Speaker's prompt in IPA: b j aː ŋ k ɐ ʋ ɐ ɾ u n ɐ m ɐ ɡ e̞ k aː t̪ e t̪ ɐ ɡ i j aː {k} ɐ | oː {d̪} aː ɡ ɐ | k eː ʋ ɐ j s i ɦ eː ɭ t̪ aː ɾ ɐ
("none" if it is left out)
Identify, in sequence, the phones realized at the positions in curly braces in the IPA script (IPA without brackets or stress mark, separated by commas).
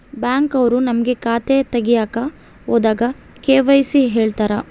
k, d̪